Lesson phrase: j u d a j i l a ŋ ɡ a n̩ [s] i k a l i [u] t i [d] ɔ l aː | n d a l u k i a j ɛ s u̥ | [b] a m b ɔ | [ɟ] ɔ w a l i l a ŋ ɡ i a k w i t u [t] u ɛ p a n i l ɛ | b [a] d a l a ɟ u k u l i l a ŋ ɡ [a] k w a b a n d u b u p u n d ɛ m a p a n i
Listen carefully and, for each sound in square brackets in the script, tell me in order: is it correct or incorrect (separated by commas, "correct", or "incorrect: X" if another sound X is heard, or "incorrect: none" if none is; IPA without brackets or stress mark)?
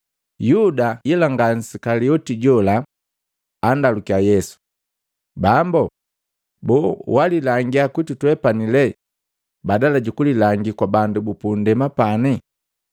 correct, incorrect: ɔ, incorrect: ɟ, correct, incorrect: b, correct, correct, incorrect: i